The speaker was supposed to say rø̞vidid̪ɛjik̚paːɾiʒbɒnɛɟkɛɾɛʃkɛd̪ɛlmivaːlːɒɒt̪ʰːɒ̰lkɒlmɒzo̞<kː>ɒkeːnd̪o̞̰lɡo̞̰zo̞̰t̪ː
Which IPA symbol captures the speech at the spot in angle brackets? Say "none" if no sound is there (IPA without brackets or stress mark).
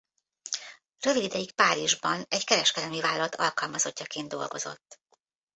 cː